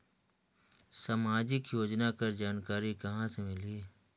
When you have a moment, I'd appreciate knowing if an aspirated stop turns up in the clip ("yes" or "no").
no